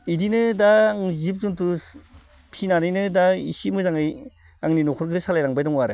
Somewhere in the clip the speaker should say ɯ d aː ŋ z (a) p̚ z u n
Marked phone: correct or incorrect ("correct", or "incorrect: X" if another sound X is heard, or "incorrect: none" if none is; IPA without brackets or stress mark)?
incorrect: i